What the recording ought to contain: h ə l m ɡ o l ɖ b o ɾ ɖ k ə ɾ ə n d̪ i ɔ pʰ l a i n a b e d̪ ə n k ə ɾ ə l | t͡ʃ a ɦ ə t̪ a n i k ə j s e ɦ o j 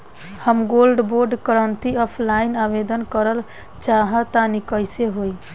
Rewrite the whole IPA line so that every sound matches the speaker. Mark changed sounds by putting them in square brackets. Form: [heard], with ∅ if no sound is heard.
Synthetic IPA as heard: h ə [∅] m ɡ o l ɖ b o ɾ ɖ k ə ɾ ə n [t̪] i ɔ pʰ l a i n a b e d̪ ə n k ə ɾ ə l | t͡ʃ a ɦ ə t̪ a n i k ə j s e ɦ o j

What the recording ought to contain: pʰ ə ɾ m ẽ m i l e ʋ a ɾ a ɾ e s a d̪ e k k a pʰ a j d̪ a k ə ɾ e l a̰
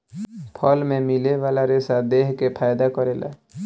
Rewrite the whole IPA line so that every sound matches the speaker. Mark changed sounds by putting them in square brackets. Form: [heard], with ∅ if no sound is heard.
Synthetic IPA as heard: pʰ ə [l] m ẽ m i l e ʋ a [l] a ɾ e s a d̪ e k k [e] pʰ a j d̪ a k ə ɾ e l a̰

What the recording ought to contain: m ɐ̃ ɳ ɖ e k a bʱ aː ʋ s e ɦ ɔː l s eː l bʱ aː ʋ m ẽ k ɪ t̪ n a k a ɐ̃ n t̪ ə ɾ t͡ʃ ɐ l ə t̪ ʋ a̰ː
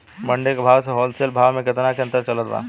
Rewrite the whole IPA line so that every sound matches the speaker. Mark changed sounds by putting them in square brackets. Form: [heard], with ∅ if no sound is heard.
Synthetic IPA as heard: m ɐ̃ ɳ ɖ e k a bʱ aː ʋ s e ɦ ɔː l s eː l bʱ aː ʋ m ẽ k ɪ t̪ n a k [e] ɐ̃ n t̪ ə ɾ t͡ʃ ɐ l ə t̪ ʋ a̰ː

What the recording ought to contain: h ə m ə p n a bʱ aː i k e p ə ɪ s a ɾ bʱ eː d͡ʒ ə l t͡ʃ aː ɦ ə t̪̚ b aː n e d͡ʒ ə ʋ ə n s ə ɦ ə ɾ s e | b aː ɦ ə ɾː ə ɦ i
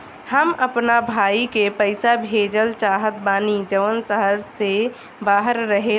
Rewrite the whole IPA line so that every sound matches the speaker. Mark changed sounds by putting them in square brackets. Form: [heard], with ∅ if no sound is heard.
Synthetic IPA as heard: h ə m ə p n a bʱ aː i k e p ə ɪ s a [∅] bʱ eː d͡ʒ ə l t͡ʃ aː ɦ ə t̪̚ b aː n [i] d͡ʒ ə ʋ ə n s ə ɦ ə ɾ s e | b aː ɦ ə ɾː ə ɦ [e]

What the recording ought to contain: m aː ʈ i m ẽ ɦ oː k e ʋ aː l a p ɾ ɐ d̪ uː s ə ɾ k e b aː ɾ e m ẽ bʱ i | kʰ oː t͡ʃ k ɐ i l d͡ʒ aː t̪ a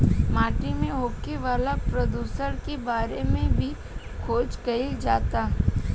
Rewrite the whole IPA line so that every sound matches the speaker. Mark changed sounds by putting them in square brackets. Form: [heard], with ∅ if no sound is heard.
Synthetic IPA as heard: m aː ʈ i m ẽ ɦ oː k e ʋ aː l a p ɾ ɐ d̪ uː s ə ɾ k e b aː ɾ e m ẽ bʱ i | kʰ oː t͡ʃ k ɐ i l d͡ʒ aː t̪ a

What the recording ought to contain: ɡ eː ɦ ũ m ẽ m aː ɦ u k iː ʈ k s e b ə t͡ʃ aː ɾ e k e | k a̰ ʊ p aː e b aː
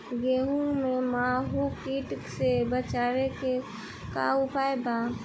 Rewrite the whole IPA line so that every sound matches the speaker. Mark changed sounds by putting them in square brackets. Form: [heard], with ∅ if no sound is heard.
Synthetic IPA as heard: ɡ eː ɦ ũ m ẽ m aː ɦ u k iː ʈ k s e b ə t͡ʃ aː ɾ e k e | k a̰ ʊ p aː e b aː

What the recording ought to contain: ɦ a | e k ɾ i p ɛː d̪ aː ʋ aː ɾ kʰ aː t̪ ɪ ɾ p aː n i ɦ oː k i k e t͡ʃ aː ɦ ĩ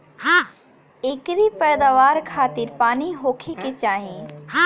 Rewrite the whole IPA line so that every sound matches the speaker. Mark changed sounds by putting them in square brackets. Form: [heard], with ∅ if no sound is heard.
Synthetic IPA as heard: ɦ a | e k ɾ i p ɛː d̪ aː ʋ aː ɾ kʰ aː t̪ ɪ ɾ p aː n i ɦ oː [kʰ] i k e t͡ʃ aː ɦ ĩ

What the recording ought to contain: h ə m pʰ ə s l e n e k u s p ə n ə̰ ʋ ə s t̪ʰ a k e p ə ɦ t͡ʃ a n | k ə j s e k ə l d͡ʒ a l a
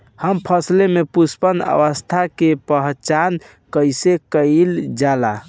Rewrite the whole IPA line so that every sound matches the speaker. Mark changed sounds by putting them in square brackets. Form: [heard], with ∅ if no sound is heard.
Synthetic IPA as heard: h ə m pʰ ə s l e [m] e [p] u s p ə n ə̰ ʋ ə s t̪ʰ a k e p ə ɦ t͡ʃ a n | k ə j s e k ə l d͡ʒ a l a

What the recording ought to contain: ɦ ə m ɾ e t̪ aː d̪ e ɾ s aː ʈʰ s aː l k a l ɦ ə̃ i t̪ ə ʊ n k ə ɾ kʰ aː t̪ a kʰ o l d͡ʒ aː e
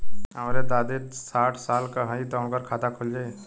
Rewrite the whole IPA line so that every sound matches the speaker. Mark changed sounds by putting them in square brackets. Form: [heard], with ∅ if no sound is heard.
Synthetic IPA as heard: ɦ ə m ɾ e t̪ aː d̪ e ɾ s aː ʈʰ s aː l k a [∅] ɦ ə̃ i t̪ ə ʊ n k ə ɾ kʰ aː t̪ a kʰ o l d͡ʒ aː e

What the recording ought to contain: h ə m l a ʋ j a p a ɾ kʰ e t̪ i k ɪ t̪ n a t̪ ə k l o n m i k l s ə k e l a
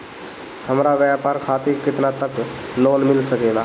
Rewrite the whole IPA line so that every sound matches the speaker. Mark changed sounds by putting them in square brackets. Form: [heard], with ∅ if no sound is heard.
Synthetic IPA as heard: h ə m [ɾ] a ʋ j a p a ɾ kʰ [a] t̪ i k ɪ t̪ n a t̪ ə k l o n m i [∅] l s ə k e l a

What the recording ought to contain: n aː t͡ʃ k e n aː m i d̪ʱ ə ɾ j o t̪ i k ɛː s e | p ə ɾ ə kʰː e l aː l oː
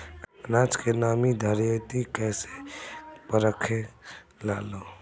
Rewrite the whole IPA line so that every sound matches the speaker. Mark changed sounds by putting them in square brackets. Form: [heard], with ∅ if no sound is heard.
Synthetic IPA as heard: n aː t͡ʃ k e n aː m i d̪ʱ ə ɾ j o t̪ i k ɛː s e | p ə ɾ ə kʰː e l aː l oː

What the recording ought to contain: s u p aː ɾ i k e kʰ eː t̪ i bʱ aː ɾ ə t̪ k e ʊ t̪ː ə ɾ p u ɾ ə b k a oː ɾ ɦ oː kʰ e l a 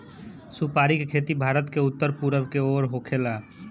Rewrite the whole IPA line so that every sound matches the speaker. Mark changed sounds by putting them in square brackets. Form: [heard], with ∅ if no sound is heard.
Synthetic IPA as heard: s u p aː ɾ i k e kʰ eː t̪ i bʱ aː ɾ ə t̪ k e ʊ t̪ː ə ɾ p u ɾ ə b k [e] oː ɾ ɦ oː kʰ e l a

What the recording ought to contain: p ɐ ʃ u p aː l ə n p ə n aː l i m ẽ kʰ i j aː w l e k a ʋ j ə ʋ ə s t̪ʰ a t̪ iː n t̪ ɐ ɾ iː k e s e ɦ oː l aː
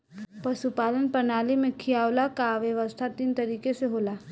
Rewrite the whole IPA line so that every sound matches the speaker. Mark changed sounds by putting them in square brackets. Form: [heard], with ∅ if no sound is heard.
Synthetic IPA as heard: p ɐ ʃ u p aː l ə n p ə n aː l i m ẽ kʰ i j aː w l [a] k a ʋ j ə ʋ ə s t̪ʰ a t̪ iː n t̪ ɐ ɾ iː k e s e ɦ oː l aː

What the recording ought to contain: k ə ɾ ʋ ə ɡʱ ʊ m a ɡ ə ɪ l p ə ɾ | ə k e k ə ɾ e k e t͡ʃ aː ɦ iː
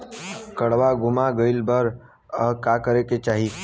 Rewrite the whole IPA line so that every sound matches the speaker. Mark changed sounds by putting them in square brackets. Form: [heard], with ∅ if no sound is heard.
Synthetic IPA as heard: k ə [ɽ] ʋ [a] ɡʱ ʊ m a ɡ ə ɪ l [b] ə ɾ | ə k [a] k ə ɾ e k e t͡ʃ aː ɦ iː

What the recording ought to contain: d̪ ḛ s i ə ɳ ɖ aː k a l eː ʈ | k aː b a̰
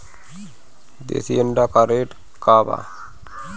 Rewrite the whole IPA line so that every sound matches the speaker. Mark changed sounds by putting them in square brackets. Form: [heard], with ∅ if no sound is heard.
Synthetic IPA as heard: d̪ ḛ s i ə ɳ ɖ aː k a [ɾ] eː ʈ | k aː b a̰

